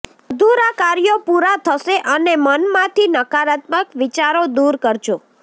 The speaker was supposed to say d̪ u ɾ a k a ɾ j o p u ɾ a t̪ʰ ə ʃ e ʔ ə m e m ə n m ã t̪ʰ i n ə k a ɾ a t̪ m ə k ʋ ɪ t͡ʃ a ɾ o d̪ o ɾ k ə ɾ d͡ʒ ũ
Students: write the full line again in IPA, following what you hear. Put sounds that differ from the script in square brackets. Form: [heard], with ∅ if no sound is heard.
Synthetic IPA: d̪ u ɾ a k a ɾ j o p u ɾ a t̪ʰ ə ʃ e ʔ ə [n] e m ə n m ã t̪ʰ i n ə k a ɾ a t̪ m ə k ʋ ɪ t͡ʃ a ɾ o d̪ [u] ɾ k ə ɾ d͡ʒ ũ

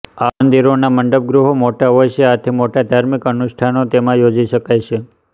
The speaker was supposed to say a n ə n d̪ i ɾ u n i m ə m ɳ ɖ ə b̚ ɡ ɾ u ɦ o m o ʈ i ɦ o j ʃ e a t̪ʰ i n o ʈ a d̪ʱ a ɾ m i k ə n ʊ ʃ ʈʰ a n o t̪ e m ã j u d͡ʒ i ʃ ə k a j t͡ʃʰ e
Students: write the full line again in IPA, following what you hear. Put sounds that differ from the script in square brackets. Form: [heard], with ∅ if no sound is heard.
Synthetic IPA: a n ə n d̪ i ɾ [o] n [a] m ə [∅] ɳ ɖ ə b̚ ɡ ɾ u ɦ o m o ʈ [a] ɦ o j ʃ e a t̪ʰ i [m] o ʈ a d̪ʱ a ɾ m i k ə n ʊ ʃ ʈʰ a n o t̪ e m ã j [o] d͡ʒ i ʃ ə k a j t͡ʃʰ e

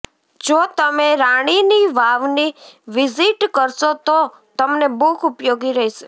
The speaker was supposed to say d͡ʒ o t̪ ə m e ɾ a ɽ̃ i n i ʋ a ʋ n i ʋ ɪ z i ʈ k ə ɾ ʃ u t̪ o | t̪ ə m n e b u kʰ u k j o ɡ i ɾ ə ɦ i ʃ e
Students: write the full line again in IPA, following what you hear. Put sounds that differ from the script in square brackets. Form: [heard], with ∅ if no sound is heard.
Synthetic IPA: d͡ʒ o t̪ ə m e ɾ a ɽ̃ i n i ʋ a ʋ n i ʋ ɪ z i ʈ k ə ɾ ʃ [o] t̪ o | t̪ ə m n e b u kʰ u [p] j o ɡ i ɾ ə ɦ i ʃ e

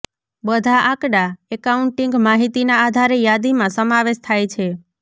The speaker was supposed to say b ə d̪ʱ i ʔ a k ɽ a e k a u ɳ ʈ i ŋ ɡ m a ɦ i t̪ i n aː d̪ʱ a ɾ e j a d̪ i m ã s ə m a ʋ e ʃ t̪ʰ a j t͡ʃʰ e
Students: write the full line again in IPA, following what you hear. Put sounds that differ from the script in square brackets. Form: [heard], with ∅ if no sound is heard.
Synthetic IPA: b ə d̪ʱ [a] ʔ a k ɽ a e k a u ɳ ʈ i ŋ ɡ m a ɦ i t̪ i n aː d̪ʱ a ɾ e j a d̪ i m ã s ə m a ʋ e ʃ t̪ʰ a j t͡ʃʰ e

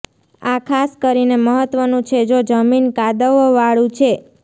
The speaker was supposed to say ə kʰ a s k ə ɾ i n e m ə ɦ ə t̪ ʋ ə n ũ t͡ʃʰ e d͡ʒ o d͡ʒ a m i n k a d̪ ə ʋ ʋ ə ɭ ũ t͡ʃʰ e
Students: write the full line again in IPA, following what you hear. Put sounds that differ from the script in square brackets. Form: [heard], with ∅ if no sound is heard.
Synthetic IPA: [a] kʰ a s k ə ɾ i n e m ə ɦ ə t̪ ʋ ə n ũ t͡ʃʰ e d͡ʒ o d͡ʒ [ə] m i n k a d̪ ə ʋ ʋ [a] ɭ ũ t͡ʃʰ e

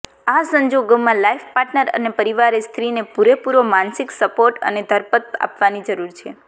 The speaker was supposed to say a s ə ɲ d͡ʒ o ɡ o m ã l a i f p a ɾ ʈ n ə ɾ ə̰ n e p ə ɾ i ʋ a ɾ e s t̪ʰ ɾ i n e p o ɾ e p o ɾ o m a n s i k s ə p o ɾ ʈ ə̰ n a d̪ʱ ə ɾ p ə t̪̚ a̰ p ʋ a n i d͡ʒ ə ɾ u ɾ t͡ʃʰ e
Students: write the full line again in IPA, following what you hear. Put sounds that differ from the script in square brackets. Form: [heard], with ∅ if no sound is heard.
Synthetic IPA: a s ə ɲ d͡ʒ o ɡ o m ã l a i f p a ɾ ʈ n ə ɾ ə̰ n e p ə ɾ i ʋ a ɾ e s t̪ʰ ɾ i n e p [u] ɾ e p [u] ɾ o m a n s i k s ə p o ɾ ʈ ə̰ n [e] d̪ʱ ə ɾ p ə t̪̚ a̰ p ʋ a n i d͡ʒ ə ɾ u ɾ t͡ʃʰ e

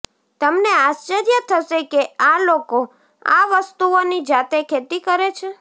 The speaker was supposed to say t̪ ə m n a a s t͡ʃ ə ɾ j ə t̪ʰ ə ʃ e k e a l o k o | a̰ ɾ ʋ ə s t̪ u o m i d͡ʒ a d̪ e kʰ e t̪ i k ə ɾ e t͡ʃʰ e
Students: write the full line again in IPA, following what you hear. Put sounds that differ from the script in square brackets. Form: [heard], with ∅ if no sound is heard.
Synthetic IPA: t̪ ə m n [e] a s t͡ʃ ə ɾ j ə t̪ʰ ə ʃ e k e a l o k o | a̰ [∅] ʋ ə s t̪ u o [n] i d͡ʒ a [t̪] e kʰ e t̪ i k ə ɾ e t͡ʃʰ e

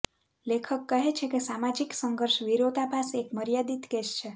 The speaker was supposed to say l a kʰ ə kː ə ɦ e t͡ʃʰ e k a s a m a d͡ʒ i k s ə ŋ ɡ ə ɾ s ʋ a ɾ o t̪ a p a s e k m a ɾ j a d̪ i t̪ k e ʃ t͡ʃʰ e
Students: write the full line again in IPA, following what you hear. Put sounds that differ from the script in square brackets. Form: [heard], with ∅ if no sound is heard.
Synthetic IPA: l [e] kʰ ə kː ə ɦ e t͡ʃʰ e k [e] s a m a d͡ʒ i k s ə ŋ ɡ ə ɾ [ʃ] ʋ [i] ɾ o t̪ a p a s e k m [ə] ɾ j a d̪ i t̪ k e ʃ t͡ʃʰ e

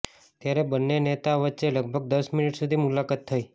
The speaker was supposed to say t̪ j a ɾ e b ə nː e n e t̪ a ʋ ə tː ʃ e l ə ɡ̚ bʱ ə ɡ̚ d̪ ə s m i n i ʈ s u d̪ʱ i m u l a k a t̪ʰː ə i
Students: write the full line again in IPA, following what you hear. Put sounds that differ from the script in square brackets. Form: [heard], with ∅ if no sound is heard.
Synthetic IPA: t̪ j a ɾ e b ə nː e n e t̪ a ʋ ə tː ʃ e l ə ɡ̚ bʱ ə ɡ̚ d̪ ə s m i n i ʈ s u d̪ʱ i m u l a k a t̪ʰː ə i

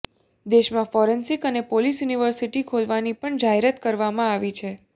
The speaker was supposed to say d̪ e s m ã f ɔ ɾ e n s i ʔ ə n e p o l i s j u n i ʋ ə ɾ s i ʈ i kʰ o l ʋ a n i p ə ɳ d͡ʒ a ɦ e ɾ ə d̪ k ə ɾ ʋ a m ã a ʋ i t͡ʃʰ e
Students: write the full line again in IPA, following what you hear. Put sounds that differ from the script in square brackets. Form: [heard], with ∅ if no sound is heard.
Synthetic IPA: d̪ e [ʃ] m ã f ɔ ɾ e n s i [k] ə n e p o l i s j u n i ʋ ə ɾ s i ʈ i kʰ o l ʋ a n i p ə ɳ d͡ʒ a ɦ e ɾ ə [t̪] k ə ɾ ʋ a m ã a ʋ i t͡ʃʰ e

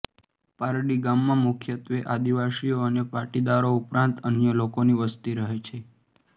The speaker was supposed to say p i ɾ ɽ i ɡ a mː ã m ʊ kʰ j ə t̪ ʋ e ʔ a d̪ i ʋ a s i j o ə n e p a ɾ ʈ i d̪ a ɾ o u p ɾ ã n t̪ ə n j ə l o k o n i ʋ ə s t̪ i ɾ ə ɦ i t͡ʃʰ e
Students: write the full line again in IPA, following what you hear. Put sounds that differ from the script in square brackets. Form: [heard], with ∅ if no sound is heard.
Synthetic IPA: p [a] ɾ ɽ i ɡ a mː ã m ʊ kʰ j ə t̪ ʋ e ʔ a d̪ i ʋ a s i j o ə n e p a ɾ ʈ i d̪ a ɾ o u p ɾ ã n t̪ ə n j ə l o k o n i ʋ ə s t̪ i ɾ ə ɦ [e] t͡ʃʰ e

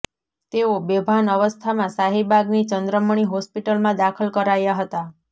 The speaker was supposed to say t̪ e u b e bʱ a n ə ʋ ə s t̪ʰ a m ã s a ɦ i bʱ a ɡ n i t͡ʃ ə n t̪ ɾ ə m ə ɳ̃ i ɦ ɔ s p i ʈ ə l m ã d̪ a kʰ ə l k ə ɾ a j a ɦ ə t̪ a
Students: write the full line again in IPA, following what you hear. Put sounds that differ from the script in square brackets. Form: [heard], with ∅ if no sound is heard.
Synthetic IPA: t̪ e [o] b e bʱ a n ə ʋ ə s t̪ʰ a m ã s a ɦ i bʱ a ɡ n i t͡ʃ ə n [d̪] ɾ ə m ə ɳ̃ i ɦ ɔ s p i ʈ ə l m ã d̪ a kʰ ə l k ə ɾ a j a ɦ ə t̪ a

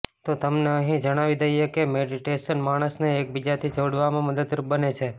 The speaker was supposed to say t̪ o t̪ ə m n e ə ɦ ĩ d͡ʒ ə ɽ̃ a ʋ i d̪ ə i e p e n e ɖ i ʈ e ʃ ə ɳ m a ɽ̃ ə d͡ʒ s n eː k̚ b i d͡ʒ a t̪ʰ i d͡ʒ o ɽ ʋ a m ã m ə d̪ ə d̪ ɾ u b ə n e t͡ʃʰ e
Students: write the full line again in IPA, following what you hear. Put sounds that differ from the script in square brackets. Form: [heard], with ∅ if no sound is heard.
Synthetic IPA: t̪ o t̪ ə m n e ə ɦ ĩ d͡ʒ ə ɽ̃ a ʋ i d̪ ə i e [k] e [m] e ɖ i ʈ e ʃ ə [n] m a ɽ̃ ə [∅] s n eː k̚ b i d͡ʒ a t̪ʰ i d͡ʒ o ɽ ʋ a m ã m ə d̪ ə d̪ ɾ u b ə n e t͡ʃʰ e

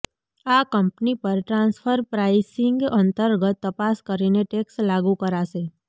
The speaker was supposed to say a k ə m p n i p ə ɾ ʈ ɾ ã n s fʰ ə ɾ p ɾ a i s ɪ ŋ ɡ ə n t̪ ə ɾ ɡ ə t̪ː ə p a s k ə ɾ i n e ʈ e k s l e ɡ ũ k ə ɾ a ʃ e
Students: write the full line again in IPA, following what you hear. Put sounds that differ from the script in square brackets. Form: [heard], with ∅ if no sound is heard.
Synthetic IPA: a k ə m p n i p ə ɾ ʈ ɾ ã n s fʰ ə ɾ p ɾ a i s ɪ ŋ ɡ ə n t̪ ə ɾ ɡ ə t̪ː ə p a s k ə ɾ i n e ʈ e k s l [a] ɡ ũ k ə ɾ a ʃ e

